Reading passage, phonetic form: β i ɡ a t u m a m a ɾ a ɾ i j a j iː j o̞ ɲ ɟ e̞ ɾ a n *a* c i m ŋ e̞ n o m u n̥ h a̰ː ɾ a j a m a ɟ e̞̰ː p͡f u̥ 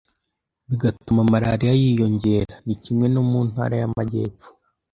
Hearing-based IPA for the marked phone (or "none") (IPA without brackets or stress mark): i